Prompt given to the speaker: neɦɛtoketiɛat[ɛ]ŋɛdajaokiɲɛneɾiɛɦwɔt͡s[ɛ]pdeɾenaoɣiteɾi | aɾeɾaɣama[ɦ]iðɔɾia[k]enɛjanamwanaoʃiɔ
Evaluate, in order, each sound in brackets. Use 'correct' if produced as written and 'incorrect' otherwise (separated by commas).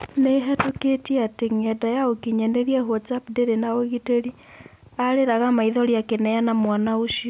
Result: incorrect, incorrect, incorrect, correct